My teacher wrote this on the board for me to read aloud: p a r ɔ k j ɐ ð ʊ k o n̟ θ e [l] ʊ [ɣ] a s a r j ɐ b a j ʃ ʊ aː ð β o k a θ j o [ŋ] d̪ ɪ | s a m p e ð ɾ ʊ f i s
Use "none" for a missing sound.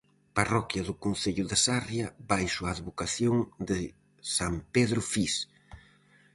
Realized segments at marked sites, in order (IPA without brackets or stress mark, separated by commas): ʎ, ð, ŋ